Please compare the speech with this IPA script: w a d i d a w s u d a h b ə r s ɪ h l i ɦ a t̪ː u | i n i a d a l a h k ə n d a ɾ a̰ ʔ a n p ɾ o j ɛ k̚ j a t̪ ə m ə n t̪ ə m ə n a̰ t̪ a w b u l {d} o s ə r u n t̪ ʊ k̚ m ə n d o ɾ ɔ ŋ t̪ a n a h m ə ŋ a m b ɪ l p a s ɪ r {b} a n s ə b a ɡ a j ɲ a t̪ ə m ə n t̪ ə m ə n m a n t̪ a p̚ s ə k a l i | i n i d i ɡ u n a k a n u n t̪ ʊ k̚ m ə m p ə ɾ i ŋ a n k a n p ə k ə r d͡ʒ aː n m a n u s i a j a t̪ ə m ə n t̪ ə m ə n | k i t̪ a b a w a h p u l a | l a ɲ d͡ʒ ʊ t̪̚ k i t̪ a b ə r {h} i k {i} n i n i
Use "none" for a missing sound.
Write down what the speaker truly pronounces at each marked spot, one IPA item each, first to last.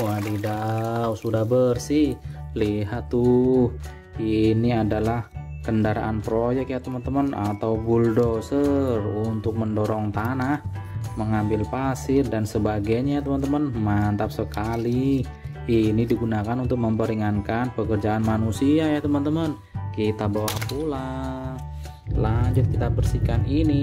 d, d, s, a

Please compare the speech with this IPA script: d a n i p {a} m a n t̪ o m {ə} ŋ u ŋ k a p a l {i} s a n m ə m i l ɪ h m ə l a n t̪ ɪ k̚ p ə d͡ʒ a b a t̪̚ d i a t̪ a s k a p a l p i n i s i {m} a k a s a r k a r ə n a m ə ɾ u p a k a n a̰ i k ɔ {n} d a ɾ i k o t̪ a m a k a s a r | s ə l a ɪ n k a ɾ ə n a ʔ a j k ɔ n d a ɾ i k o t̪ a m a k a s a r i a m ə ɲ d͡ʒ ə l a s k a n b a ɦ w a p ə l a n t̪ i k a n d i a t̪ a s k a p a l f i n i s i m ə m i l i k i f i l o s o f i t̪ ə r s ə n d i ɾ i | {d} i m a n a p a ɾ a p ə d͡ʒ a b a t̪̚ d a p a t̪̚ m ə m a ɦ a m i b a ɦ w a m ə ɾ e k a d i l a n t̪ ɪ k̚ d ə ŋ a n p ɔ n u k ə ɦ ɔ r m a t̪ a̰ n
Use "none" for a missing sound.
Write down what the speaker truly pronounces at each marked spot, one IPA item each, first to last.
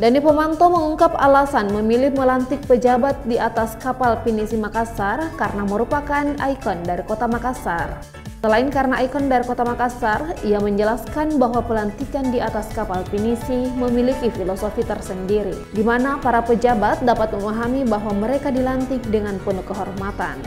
ə, ə, a, m, n, d

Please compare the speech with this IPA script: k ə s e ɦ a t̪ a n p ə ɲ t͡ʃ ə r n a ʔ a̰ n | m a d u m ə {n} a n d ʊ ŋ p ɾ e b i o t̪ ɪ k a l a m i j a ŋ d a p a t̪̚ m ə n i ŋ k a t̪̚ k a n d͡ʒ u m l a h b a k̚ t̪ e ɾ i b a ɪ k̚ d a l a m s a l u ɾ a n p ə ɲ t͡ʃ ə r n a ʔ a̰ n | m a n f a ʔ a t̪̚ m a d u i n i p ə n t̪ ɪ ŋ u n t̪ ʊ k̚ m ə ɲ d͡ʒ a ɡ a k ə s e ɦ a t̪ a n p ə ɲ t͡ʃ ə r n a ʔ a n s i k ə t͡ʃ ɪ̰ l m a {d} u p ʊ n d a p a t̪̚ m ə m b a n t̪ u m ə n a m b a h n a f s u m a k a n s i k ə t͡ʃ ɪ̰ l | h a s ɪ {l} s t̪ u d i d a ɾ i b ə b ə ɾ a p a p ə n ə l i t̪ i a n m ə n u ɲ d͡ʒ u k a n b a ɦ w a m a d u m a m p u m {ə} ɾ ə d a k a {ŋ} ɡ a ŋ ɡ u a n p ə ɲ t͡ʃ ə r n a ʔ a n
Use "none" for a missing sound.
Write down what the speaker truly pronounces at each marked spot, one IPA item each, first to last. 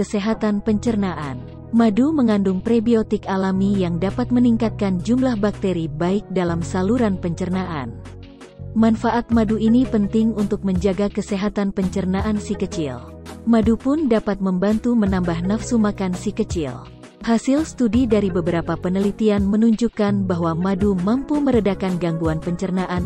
ŋ, d, l, ə, n

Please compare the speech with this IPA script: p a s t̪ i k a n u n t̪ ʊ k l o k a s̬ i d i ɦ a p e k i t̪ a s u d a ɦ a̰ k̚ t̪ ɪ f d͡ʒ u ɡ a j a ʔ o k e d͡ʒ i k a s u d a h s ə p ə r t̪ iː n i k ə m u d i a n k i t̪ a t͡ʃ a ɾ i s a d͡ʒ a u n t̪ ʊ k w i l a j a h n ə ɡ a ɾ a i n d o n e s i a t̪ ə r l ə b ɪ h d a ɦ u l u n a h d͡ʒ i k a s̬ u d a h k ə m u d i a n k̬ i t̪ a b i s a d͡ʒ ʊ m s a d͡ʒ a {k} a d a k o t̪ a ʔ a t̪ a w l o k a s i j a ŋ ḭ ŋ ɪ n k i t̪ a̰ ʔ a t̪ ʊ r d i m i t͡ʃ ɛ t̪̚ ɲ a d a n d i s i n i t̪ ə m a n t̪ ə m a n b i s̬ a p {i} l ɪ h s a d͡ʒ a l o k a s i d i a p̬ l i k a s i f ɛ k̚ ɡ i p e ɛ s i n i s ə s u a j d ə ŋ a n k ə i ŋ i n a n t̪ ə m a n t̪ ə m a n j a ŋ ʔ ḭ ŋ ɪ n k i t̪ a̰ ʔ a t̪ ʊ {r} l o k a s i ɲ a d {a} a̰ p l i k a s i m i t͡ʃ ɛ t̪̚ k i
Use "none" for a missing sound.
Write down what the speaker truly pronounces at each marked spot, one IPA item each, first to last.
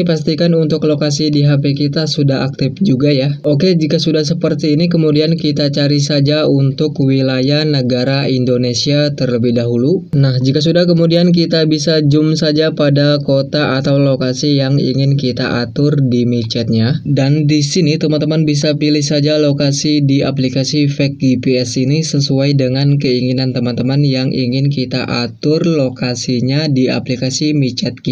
p, i, r, i

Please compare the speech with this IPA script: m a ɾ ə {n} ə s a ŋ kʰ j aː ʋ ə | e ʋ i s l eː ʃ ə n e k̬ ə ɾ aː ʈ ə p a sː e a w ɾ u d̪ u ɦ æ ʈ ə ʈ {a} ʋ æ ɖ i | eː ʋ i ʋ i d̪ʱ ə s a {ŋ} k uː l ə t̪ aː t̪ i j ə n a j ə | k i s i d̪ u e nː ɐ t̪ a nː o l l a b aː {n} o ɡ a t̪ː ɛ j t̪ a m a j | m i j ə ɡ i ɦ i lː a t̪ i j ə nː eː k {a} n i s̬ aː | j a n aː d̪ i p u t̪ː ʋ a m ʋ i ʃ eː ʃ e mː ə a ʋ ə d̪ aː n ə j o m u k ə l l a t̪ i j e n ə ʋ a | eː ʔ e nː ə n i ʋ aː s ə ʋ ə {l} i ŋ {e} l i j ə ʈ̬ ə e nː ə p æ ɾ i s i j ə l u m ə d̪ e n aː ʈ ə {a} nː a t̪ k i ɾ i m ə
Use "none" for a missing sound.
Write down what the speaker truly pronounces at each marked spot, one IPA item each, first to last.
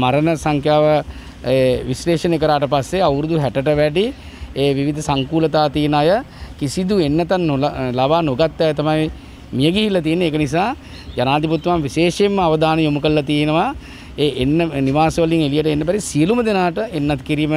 n, ə, ŋ, n, ə, l, e, e

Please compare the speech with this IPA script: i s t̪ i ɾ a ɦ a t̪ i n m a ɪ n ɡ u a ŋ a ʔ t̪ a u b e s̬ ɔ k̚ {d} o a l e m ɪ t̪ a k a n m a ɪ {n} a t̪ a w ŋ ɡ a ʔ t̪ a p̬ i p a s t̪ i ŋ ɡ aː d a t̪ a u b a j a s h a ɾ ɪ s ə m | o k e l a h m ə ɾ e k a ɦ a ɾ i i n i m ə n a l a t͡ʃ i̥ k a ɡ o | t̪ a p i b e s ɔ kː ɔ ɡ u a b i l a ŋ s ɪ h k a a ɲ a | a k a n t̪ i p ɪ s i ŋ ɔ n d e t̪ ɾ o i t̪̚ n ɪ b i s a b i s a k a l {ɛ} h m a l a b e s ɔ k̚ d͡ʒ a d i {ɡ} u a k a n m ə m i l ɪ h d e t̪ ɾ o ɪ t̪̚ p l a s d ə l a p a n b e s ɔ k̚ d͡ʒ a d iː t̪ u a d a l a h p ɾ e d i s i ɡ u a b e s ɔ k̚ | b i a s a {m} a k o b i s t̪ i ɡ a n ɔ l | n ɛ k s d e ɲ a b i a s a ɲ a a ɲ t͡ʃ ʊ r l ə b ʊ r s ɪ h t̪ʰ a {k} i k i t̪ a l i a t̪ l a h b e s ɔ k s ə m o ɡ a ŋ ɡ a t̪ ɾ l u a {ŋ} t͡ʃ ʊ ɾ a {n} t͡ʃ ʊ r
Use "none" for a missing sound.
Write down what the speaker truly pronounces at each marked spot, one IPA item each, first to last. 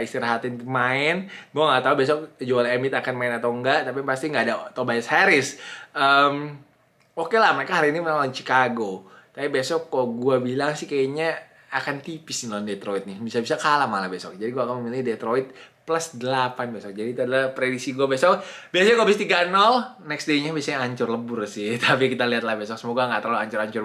d͡ʒ, n, a, ɡ, ɲ, p, ɲ, ɲ

